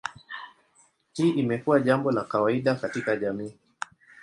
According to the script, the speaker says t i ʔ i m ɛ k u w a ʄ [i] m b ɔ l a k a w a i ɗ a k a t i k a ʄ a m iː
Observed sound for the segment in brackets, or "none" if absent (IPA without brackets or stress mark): a